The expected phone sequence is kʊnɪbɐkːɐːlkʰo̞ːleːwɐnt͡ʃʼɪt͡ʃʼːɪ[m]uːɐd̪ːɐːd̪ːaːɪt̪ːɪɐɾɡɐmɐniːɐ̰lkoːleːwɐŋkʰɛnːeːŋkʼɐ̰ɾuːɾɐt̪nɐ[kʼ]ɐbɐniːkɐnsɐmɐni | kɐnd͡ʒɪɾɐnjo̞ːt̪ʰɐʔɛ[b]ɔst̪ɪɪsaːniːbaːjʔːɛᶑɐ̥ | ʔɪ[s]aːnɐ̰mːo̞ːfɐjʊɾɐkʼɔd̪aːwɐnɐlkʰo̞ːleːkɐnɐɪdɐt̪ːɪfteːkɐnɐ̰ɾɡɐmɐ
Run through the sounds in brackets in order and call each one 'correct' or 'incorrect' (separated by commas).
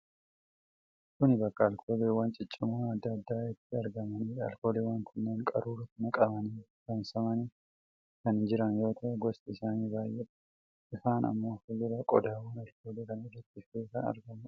correct, correct, incorrect, incorrect